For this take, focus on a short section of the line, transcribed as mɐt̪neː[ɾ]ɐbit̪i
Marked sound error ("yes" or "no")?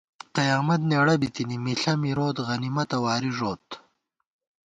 yes